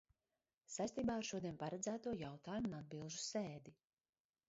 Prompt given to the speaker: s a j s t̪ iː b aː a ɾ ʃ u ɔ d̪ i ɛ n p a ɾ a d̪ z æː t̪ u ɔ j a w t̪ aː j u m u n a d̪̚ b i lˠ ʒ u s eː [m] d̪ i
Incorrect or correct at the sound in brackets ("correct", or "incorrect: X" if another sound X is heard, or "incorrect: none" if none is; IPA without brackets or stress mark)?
incorrect: none